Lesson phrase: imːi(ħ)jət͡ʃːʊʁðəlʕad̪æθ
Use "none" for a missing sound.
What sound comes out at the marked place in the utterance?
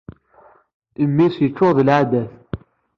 s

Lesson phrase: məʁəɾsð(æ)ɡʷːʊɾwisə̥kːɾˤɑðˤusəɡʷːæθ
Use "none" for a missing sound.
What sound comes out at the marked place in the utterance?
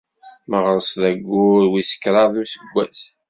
æ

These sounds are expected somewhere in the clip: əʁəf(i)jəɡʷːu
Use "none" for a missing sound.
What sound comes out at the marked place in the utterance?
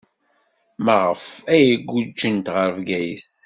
æ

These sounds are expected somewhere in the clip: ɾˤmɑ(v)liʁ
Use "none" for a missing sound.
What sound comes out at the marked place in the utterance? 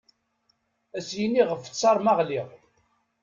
ʁ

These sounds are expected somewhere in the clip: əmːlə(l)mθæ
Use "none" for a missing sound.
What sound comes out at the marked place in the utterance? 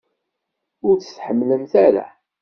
none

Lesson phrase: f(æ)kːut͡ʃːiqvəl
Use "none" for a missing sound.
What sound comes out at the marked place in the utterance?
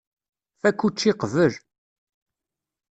æ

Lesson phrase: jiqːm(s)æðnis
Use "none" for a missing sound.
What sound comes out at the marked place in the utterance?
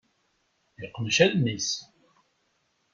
ʃ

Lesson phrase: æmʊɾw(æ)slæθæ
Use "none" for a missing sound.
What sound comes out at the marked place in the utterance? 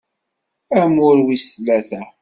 i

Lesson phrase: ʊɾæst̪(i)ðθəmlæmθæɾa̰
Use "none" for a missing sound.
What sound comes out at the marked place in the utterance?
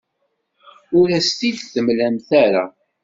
i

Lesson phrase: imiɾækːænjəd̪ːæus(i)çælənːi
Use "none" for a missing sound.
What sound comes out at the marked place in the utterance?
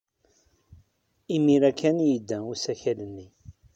æ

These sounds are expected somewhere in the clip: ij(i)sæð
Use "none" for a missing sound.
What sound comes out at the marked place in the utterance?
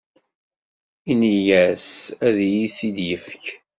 æ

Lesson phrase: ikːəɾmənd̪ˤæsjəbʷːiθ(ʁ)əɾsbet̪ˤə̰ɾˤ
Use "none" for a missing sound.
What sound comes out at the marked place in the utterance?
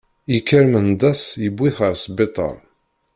ʁ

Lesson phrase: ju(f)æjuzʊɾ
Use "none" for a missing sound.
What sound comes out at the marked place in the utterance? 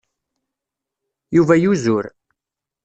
v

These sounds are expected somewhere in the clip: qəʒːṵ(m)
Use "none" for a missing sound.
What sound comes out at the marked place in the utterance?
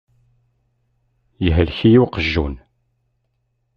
n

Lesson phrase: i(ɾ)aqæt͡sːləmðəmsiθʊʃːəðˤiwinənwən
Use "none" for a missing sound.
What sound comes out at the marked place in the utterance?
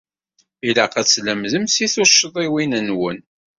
l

